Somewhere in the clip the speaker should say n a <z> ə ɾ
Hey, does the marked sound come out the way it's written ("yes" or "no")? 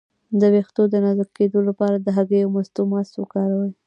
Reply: yes